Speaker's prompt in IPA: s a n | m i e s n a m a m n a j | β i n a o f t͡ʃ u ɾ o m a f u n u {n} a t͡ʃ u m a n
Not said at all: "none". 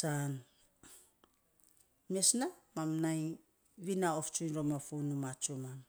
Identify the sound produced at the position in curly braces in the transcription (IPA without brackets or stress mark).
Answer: m